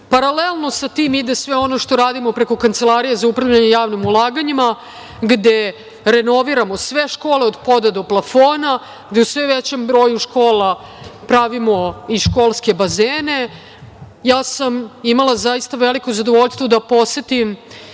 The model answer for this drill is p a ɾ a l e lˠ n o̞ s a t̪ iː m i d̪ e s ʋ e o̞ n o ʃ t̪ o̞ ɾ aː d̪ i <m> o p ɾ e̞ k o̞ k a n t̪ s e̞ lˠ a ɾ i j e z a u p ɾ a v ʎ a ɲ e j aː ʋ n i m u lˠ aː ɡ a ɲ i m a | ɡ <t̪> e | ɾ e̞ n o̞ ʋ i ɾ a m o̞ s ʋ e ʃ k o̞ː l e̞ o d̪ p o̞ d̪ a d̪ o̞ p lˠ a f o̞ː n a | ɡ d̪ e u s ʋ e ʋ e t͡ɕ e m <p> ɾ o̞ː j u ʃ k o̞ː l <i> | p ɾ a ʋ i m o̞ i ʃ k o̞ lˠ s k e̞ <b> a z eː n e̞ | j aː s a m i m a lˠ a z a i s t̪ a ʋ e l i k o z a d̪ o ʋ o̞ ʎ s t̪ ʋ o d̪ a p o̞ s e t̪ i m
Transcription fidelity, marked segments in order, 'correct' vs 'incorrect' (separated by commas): correct, incorrect, incorrect, incorrect, correct